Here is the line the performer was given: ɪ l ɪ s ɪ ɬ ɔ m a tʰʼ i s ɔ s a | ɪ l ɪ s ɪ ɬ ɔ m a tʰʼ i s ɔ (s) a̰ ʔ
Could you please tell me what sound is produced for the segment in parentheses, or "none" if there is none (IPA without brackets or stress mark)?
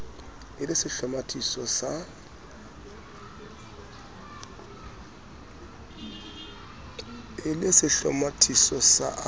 s